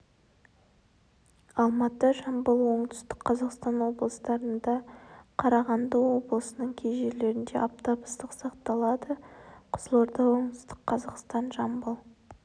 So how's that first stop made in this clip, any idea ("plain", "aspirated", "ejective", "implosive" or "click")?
plain